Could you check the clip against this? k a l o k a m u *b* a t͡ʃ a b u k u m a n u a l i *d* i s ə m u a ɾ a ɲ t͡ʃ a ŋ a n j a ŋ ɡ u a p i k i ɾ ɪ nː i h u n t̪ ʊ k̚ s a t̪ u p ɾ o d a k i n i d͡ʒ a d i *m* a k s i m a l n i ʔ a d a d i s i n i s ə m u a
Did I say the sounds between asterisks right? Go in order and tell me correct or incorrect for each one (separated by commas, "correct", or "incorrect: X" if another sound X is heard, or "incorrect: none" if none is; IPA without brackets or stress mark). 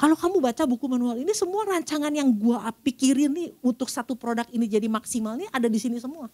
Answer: correct, incorrect: n, correct